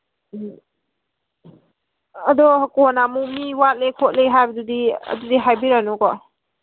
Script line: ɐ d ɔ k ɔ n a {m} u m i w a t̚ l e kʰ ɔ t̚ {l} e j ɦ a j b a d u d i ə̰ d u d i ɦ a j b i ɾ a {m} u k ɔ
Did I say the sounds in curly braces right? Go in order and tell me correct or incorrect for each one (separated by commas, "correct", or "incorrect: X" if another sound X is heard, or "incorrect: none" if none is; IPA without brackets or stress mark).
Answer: correct, correct, incorrect: n